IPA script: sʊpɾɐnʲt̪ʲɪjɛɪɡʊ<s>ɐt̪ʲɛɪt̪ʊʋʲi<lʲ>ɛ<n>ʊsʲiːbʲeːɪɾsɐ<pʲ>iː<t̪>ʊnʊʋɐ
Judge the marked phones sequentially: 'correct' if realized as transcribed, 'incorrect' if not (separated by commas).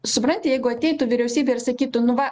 incorrect, incorrect, incorrect, incorrect, correct